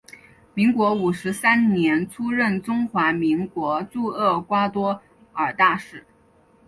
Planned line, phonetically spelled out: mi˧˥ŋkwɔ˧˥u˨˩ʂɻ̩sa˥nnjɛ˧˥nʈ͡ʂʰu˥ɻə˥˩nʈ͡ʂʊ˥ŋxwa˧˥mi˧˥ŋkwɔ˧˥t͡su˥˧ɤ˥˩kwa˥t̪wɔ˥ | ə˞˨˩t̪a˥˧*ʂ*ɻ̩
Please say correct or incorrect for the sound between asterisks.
correct